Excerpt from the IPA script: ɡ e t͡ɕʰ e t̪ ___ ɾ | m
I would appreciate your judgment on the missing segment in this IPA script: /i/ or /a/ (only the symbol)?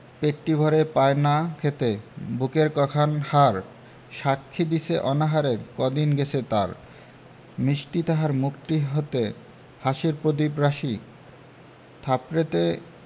a